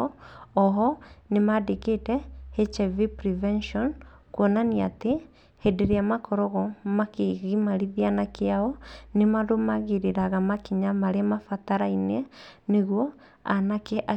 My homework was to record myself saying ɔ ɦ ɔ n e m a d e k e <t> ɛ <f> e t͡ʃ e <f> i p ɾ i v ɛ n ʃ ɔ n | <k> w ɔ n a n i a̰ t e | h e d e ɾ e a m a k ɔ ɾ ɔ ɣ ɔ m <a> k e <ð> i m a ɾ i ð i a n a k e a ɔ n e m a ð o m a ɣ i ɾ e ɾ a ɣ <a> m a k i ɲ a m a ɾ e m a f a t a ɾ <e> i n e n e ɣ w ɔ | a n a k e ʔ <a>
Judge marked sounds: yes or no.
yes, no, no, yes, yes, no, yes, no, yes

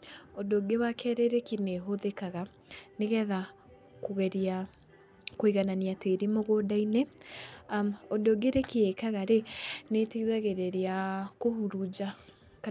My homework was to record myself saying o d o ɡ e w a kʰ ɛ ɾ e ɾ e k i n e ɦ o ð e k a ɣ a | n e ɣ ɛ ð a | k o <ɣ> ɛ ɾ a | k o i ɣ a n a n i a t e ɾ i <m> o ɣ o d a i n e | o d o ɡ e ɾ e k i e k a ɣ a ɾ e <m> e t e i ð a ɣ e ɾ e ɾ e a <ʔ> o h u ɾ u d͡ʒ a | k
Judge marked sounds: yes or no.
yes, yes, no, no

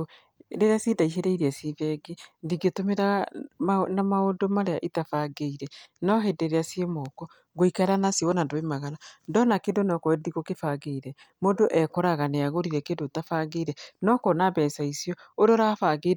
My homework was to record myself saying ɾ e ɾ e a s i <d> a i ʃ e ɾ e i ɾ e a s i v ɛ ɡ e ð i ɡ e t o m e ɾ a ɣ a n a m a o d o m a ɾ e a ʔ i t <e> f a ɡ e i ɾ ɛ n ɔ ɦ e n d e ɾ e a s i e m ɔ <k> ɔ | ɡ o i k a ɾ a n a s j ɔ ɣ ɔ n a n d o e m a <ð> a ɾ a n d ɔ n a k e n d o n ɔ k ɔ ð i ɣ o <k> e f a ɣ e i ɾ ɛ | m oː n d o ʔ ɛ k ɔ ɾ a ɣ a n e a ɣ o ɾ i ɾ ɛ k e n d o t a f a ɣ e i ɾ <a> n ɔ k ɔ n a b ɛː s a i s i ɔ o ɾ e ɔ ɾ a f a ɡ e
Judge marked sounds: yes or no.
yes, no, yes, no, yes, no

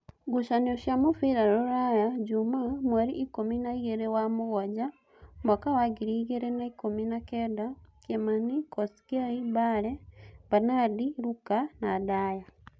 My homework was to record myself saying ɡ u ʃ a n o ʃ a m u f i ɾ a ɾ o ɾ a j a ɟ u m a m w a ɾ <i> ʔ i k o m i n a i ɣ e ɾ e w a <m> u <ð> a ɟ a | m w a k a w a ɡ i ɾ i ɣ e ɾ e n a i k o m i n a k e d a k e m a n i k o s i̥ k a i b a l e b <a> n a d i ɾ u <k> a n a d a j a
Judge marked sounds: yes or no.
yes, yes, no, yes, yes

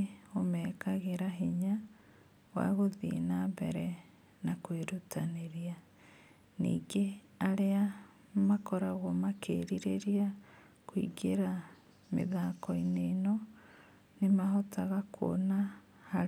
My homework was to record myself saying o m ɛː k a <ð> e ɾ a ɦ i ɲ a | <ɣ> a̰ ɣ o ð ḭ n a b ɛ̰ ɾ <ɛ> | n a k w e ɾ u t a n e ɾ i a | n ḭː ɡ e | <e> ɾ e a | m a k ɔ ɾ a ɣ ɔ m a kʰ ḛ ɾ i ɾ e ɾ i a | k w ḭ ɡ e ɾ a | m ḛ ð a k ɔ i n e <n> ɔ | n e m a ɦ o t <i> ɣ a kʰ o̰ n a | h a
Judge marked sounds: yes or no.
no, no, yes, no, yes, no

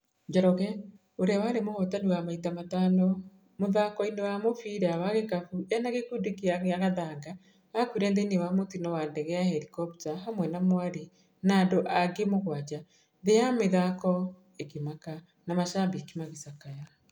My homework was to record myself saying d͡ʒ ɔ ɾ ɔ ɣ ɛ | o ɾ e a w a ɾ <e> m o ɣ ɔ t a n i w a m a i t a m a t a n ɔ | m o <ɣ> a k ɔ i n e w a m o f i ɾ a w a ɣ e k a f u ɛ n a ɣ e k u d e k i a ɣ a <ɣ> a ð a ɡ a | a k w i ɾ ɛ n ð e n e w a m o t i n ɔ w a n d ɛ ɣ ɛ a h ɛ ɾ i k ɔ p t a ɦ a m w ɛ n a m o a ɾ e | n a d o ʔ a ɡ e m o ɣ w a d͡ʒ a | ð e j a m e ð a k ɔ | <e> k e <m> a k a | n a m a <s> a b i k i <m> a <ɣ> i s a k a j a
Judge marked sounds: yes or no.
yes, no, yes, yes, yes, no, yes, yes

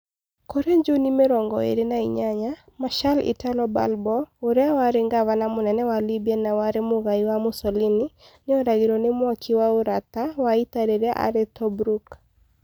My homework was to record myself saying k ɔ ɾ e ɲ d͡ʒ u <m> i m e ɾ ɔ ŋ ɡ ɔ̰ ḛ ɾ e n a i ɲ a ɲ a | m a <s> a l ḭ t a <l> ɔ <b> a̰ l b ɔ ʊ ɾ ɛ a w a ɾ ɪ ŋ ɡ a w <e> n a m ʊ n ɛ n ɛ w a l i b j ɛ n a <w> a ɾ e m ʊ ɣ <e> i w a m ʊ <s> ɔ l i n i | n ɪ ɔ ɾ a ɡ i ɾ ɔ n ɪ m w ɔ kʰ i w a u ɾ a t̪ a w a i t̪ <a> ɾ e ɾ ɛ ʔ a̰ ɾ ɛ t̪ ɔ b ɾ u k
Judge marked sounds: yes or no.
no, no, yes, yes, no, yes, no, yes, yes

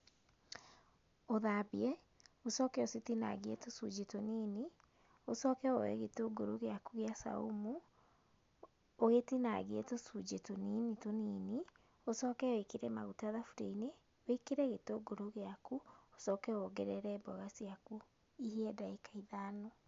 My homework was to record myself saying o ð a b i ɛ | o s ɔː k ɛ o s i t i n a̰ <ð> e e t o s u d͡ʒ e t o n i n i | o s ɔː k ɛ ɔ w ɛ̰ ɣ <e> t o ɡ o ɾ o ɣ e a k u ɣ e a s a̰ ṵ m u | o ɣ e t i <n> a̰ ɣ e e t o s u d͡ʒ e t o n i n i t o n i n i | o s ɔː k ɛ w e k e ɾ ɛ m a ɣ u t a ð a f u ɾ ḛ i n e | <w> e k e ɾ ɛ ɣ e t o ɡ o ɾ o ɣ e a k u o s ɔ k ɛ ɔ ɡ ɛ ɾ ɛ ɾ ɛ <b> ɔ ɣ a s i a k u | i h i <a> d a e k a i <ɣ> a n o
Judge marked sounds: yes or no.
no, yes, yes, yes, yes, no, no

